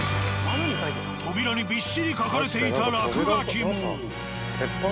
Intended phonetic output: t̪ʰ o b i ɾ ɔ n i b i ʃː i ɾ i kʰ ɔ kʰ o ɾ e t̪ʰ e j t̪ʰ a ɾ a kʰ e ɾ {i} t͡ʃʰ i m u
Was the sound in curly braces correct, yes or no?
no